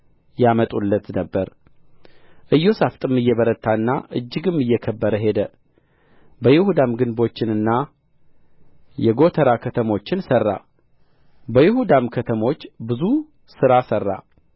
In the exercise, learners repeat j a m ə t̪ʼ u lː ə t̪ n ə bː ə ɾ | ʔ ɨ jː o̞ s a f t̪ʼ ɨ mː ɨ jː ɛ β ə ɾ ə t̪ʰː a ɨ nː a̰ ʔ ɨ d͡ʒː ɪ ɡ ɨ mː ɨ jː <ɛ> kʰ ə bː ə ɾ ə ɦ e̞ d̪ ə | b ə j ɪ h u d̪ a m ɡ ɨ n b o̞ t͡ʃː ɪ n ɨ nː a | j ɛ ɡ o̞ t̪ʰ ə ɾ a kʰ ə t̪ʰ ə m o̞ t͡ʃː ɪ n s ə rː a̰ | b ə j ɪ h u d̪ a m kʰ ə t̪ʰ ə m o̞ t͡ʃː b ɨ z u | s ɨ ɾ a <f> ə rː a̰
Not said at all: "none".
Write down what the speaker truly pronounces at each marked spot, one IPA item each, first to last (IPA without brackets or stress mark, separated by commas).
ɛ, s